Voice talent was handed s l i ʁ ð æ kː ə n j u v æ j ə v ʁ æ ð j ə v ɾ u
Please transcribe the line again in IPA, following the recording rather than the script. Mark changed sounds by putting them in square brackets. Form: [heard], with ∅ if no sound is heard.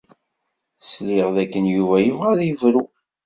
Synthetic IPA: s l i ʁ ð æ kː ə n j u v æ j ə v ʁ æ ð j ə v ɾ u